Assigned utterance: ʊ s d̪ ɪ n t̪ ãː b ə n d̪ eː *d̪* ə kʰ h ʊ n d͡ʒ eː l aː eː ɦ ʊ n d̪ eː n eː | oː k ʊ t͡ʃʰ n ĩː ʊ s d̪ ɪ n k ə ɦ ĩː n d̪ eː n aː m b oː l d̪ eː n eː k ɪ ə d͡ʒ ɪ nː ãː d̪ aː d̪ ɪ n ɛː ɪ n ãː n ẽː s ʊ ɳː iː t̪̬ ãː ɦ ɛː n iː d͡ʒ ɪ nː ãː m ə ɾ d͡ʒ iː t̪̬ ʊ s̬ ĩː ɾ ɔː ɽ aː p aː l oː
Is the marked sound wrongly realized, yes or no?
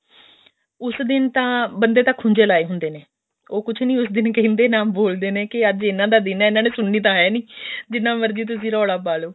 yes